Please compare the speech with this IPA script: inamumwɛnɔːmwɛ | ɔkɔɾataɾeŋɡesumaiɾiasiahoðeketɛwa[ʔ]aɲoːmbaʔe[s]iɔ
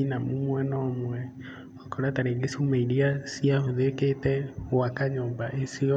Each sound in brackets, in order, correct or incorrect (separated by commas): incorrect, correct